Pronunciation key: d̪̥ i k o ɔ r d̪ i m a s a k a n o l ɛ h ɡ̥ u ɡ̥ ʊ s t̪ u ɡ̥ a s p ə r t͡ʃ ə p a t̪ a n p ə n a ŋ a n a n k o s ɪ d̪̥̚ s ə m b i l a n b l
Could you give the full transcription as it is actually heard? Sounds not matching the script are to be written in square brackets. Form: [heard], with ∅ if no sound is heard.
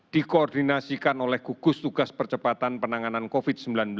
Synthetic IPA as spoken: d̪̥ i k o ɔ r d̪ i [n] a s [i] k a n o l ɛ h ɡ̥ u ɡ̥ ʊ s t̪ u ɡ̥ a s p ə r t͡ʃ ə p a t̪ a n p ə n a ŋ a n a n k o [f] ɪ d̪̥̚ s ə m b i l a n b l